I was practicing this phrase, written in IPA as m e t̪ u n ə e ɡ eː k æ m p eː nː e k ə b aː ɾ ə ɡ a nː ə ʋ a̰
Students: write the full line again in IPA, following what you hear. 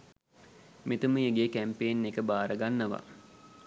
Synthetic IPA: m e t̪ u m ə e ɡ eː k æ m p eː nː e k ə b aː ɾ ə ɡ a nː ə ʋ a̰